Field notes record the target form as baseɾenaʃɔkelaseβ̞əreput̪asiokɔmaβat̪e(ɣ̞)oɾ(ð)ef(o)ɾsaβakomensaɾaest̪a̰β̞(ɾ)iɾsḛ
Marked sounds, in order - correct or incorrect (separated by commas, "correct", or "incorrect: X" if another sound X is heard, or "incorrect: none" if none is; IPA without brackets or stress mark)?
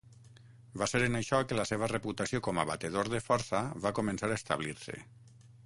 incorrect: ð̞, correct, incorrect: ɔ, incorrect: l